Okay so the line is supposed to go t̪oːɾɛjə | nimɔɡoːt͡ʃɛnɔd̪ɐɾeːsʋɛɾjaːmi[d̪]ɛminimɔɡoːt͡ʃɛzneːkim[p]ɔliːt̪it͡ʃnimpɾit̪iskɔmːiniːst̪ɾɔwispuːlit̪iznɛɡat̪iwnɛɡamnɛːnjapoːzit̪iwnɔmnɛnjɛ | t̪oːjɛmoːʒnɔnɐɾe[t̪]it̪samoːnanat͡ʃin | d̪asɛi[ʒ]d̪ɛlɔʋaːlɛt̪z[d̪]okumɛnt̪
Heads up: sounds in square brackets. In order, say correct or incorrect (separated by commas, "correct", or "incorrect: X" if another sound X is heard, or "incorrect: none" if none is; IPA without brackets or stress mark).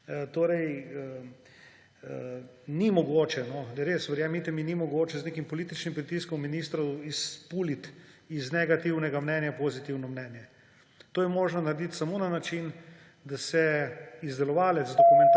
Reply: incorrect: t̪, correct, incorrect: d̪, incorrect: z, correct